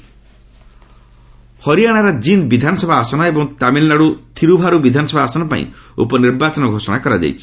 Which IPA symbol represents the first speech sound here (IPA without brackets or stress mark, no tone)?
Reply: h